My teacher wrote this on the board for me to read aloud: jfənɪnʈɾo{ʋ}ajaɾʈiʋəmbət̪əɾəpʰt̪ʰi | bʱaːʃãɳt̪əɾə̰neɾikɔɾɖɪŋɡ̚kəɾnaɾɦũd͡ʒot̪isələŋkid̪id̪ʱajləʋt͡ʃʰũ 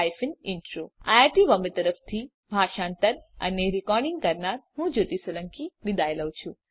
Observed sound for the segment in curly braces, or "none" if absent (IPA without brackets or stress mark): none